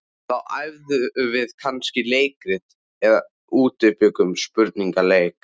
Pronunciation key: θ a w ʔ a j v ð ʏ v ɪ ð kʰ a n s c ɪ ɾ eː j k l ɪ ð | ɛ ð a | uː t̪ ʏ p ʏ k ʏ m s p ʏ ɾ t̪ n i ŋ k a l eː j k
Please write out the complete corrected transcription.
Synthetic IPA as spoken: θ a w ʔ a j v ð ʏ v ɪ ð kʰ a n s c ɪ l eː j k ɾ ɪ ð | ɛ ð a | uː t̪ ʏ p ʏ k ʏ m s p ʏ ɾ t̪ n i ŋ k a l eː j k

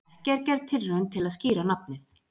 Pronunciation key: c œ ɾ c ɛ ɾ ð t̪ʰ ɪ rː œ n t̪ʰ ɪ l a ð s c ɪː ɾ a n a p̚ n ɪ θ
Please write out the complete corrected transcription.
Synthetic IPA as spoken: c ɛ ɾ c ɛ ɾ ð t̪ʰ ɪ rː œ n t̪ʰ ɪ l a ð s c iː ɾ a n a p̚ n ɪ θ

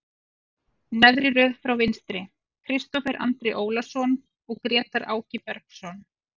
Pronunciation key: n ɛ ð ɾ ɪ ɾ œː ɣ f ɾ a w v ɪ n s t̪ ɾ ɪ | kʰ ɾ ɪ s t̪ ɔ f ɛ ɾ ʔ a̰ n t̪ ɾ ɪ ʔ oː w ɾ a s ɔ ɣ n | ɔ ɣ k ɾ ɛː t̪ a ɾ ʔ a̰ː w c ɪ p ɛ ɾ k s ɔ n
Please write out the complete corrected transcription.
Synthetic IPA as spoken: n ɛ ð ɾ ɪ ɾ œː ð f ɾ a w v ɪ n s t̪ ɾ ɪ | kʰ ɾ ɪ s t̪ ɔ f ɛ ɾ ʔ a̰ n t̪ ɾ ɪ ʔ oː w l a s ɔ n | ɔ ɣ k ɾ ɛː t̪ a ɾ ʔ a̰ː w c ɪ p ɛ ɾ k s ɔ n

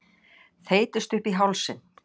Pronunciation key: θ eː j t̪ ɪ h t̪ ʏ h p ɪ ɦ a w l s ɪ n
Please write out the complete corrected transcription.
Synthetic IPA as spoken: θ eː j t̪ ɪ s t̪ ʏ h p i ɦ a w l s ɪ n

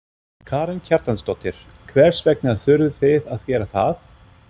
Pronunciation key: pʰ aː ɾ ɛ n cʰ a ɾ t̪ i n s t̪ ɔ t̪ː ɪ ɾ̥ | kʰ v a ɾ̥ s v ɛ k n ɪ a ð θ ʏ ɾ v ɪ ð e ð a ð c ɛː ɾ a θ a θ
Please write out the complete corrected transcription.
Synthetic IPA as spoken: kʰ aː ɾ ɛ n cʰ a ɾ t̪ a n s t̪ ɔ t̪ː ɪ ɾ̥ | kʰ v ɛ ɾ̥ s v ɛ k n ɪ a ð θ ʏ ɾ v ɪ θ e ð a ð c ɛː ɾ a θ a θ

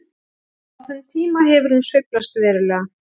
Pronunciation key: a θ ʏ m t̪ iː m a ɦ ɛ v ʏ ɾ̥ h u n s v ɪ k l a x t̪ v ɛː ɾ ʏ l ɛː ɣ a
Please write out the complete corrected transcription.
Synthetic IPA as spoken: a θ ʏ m t̪ʰ iː m a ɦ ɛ v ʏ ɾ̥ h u n s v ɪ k l a s t̪ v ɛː ɾ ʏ l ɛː ɣ a

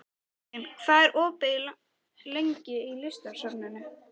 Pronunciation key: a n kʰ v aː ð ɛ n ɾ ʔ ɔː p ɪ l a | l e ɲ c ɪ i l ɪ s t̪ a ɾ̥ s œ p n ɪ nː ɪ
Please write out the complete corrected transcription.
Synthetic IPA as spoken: ɛ n kʰ v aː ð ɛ ɾ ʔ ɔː p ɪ l a | l e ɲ c ɪ i l ɪ s t̪ a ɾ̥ s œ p n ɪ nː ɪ

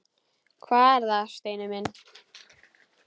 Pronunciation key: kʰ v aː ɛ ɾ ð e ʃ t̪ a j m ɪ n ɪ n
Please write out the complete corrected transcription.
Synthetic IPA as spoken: kʰ v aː ɛ ɾ ð a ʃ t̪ e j n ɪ m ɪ n

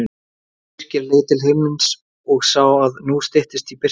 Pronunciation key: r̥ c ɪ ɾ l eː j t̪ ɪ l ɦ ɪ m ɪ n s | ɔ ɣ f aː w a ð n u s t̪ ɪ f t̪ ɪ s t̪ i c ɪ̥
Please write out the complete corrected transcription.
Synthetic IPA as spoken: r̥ c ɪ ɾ l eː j t̪ ɪ l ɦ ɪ m ɪ n s | ɔ ɣ s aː w a ð n u s t̪ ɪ h t̪ ɪ s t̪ i p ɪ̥

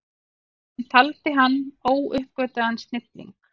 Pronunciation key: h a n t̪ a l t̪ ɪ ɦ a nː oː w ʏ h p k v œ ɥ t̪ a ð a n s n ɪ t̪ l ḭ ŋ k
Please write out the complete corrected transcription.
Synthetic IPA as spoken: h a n t̪ʰ a l t̪ ɪ ɦ a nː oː w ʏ h p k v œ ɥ t̪ a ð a n s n ɪ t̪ l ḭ ŋ k

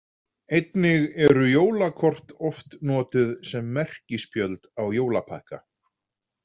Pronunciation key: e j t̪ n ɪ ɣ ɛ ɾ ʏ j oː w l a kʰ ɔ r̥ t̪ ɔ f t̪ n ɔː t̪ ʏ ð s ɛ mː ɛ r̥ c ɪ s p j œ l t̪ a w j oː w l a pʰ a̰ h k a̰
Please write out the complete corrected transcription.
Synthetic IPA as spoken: e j t̪ n ɪ ɣ ɛ ɾ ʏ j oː w l a kʰ ɔ r̥ t̪ ɔ f t̪ n ɔː t̪ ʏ ð s ɛ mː ɛ r̥ c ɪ s p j œ l t̪ a w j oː w l a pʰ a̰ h k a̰

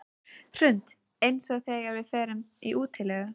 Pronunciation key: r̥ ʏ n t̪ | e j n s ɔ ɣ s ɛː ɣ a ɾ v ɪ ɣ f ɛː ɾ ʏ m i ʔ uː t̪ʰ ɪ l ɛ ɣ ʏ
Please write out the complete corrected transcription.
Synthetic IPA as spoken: r̥ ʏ n t̪ | e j n s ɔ ɣ θ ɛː ɣ a ɾ v ɪ ð f ɛː ɾ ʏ m i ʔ uː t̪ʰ ɪ l ɛ ɣ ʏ

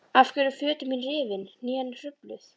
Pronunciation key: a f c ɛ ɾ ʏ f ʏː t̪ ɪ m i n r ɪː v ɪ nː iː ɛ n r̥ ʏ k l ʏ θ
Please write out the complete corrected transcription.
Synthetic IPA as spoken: a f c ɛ ɾ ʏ f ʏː t̪ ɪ m i n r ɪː v ɪ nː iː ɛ n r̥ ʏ p l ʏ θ

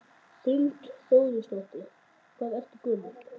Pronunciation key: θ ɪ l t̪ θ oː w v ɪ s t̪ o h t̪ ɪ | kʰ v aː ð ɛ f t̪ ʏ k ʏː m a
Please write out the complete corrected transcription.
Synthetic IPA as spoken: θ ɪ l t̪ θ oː w ð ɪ s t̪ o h t̪ ɪ | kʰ v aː ð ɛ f t̪ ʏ k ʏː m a

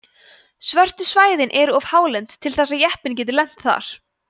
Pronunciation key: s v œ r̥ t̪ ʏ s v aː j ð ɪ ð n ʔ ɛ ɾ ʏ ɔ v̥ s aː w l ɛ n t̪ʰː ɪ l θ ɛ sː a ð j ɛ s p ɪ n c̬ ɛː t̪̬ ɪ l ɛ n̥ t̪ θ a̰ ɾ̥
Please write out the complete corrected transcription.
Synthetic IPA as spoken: s v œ r̥ t̪ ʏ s v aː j ð ɪ n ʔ ɛ ɾ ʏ ɔ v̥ h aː w l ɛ n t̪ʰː ɪ l θ ɛ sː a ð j ɛ h p ɪ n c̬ ɛː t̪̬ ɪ l ɛ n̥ t̪ θ a̰ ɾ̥

